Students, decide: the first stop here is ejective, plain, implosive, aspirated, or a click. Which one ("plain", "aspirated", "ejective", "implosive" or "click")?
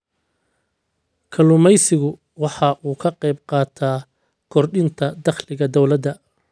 aspirated